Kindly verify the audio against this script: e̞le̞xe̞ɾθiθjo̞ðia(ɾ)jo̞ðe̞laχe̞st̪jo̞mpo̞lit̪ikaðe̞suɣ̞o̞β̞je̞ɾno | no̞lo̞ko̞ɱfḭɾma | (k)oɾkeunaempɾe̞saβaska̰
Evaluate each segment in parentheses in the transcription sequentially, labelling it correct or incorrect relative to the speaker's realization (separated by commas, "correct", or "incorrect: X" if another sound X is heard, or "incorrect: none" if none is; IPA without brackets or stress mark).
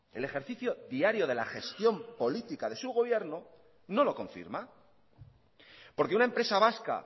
correct, incorrect: p